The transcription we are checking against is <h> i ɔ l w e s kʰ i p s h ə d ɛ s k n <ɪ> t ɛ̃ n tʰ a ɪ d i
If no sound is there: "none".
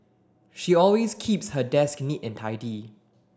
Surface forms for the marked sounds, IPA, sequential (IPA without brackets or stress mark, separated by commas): ʃ, i